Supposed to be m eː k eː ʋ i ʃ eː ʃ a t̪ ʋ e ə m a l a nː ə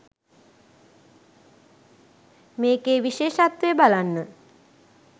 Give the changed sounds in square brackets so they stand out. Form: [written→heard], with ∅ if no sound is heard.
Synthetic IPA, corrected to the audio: m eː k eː ʋ i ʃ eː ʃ a t̪ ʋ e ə [m→b] a l a nː ə